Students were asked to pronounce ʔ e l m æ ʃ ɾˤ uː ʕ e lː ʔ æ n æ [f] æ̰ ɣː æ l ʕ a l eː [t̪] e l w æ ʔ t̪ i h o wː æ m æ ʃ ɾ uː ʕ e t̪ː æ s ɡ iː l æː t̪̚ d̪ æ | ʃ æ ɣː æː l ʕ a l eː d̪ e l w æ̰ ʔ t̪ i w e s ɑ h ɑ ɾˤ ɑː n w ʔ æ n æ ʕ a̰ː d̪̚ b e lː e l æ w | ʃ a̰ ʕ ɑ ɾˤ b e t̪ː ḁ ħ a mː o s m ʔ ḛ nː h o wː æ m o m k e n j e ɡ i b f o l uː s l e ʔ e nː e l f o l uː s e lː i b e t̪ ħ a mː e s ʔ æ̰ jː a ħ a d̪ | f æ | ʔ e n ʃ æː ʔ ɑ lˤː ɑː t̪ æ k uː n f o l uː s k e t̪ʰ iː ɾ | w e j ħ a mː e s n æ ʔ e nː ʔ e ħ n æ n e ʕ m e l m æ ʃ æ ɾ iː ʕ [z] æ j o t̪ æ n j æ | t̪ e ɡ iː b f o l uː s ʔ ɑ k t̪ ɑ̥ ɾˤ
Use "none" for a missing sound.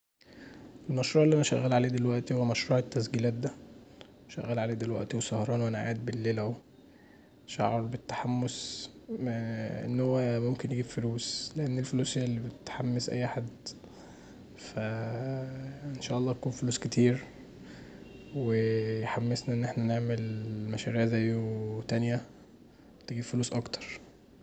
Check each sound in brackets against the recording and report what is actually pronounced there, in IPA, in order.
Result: ʃ, d̪, z

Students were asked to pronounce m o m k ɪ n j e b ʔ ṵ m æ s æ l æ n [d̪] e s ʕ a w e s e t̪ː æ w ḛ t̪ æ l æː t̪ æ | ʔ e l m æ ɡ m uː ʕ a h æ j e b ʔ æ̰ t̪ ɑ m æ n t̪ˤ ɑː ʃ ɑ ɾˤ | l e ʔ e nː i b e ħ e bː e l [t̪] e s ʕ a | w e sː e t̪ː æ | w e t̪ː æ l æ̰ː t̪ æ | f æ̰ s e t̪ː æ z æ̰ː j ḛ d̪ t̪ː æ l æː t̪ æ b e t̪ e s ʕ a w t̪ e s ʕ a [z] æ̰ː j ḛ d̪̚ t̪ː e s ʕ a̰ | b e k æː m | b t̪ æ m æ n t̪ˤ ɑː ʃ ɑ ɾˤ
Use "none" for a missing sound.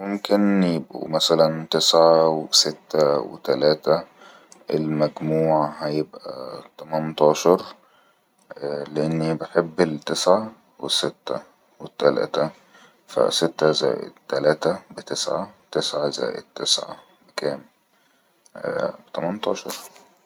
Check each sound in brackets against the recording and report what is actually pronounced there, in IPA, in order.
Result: t̪, t̪, z

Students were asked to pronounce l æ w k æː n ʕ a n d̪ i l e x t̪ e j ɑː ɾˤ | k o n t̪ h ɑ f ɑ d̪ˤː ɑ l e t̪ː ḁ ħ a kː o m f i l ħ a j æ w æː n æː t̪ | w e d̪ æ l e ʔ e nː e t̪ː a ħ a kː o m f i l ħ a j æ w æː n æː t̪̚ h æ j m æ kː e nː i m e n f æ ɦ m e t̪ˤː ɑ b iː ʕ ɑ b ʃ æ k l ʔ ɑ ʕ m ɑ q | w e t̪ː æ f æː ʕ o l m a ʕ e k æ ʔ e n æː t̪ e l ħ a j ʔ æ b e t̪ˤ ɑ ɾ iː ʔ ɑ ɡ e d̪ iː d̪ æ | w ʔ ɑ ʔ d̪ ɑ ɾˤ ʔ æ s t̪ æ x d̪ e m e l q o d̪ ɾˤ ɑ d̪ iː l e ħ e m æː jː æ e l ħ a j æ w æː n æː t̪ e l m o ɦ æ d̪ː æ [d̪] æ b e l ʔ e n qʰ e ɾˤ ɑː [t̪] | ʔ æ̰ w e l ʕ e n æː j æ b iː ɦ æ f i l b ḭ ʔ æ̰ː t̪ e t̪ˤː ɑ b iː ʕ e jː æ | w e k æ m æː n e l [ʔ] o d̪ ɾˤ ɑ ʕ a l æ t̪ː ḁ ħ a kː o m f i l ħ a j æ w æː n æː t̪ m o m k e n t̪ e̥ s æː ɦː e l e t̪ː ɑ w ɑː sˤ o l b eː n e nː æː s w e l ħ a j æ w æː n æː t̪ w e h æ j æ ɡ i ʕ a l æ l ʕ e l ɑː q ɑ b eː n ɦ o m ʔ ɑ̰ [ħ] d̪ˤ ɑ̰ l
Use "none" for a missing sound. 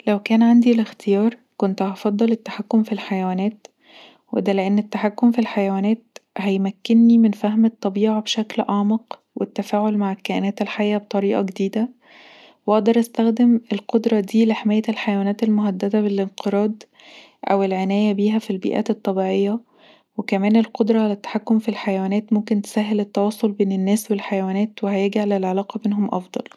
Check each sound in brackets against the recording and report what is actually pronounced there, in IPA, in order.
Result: d̪, d̪, q, f

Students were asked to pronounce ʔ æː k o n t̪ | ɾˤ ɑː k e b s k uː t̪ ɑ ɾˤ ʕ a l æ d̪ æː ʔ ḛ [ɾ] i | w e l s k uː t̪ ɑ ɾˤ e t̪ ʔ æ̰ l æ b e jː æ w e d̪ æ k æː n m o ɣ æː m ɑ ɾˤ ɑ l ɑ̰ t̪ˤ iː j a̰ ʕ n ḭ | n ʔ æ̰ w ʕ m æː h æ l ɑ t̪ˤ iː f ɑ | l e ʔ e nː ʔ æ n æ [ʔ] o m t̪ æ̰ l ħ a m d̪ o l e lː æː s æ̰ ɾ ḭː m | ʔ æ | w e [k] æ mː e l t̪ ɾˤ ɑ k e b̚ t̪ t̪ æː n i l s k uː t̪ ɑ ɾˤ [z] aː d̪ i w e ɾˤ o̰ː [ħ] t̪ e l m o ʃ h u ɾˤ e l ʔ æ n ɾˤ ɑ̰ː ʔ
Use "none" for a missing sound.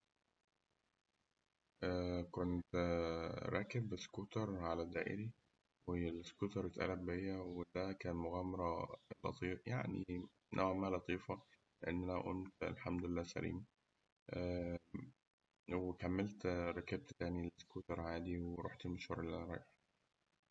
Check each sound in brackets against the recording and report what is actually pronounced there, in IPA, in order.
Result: ɾ, ʔ, k, ʕ, ħ

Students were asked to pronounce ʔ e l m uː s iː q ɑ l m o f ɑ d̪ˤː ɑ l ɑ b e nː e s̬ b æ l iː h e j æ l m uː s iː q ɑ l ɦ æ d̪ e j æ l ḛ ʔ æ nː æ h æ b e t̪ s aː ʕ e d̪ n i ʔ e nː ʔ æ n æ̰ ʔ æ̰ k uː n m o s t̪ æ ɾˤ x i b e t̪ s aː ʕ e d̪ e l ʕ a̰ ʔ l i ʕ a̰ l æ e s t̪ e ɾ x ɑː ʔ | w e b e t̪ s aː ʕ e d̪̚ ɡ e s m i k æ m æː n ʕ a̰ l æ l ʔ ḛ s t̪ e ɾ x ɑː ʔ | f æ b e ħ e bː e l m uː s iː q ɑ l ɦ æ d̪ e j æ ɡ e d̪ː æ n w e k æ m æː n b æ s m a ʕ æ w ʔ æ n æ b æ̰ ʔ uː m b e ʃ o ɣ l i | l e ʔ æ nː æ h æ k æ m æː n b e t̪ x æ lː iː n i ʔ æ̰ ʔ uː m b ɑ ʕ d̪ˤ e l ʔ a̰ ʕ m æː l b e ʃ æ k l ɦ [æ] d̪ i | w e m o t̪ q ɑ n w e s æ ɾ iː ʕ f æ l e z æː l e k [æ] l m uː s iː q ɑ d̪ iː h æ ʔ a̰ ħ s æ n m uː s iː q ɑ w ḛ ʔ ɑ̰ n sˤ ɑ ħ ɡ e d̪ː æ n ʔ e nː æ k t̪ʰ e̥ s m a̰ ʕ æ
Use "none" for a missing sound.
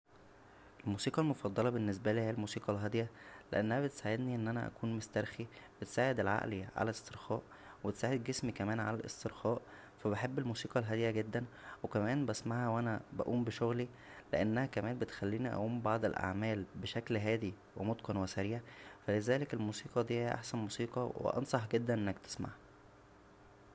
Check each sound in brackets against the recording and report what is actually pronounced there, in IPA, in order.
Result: æː, e

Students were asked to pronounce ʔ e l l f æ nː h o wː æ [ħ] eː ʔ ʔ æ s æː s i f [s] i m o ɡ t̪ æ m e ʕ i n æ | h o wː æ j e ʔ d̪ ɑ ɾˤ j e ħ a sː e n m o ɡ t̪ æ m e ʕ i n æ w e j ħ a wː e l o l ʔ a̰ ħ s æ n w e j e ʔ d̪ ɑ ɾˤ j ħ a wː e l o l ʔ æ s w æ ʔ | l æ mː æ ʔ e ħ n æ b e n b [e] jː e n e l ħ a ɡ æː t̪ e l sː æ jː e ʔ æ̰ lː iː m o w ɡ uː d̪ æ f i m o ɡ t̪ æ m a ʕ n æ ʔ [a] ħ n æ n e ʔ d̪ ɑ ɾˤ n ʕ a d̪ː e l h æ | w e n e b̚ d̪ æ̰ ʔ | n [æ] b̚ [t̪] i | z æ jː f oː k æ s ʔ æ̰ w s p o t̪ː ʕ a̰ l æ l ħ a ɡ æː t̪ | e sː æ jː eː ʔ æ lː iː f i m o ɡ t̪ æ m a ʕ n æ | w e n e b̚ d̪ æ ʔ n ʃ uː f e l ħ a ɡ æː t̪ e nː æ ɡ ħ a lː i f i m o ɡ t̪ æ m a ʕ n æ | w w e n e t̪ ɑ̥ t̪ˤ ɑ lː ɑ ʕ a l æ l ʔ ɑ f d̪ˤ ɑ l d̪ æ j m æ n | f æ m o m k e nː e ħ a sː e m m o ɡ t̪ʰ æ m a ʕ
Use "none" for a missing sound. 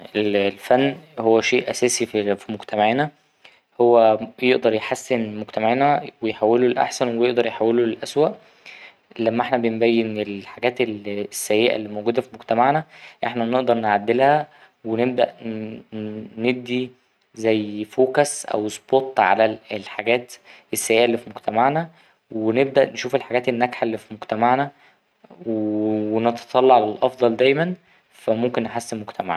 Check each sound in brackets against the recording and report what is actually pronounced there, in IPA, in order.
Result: ʃ, f, æ, e, e, d̪

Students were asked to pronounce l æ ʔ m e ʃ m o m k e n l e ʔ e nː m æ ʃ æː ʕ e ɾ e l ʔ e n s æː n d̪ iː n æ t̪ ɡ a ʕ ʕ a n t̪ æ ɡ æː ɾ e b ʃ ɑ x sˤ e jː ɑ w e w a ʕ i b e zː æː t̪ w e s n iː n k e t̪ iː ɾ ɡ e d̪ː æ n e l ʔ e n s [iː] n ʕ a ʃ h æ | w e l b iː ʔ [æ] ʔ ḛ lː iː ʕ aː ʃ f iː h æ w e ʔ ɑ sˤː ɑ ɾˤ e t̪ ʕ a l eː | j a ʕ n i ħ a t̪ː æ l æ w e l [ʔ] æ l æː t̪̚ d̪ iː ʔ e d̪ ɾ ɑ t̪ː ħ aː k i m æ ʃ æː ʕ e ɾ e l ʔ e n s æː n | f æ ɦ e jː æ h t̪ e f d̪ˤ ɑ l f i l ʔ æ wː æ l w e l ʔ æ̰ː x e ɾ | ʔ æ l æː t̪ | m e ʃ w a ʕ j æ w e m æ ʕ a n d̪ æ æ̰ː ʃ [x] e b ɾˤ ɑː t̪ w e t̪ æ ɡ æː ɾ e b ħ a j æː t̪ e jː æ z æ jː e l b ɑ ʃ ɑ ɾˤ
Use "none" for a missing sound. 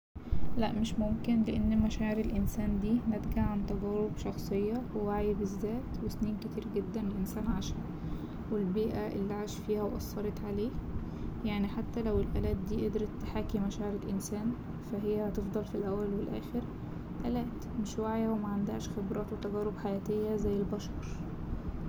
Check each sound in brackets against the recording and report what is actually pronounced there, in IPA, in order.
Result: æː, æ, ʔ, x

